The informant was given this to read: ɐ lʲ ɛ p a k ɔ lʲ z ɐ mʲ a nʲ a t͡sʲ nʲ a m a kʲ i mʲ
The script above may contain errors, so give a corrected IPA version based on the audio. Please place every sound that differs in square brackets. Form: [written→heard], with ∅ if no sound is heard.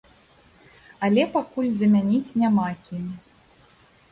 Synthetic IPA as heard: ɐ lʲ ɛ p a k [ɔ→u] lʲ z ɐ mʲ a nʲ [a→i] t͡sʲ nʲ a m a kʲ i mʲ